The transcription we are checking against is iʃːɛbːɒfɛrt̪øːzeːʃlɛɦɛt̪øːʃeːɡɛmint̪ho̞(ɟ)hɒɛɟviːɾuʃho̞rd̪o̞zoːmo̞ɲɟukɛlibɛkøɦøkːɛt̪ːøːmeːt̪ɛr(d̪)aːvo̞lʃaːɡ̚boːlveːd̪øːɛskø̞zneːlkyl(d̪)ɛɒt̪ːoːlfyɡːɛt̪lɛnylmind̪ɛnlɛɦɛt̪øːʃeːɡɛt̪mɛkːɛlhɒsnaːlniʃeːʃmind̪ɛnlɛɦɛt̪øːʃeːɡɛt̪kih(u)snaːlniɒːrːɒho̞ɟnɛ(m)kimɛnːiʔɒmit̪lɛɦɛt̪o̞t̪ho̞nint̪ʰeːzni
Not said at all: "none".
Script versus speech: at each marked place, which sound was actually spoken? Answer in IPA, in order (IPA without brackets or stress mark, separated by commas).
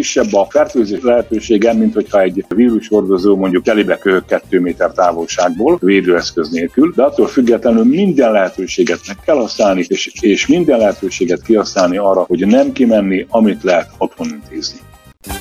c, t̪, d̪, ɒ, m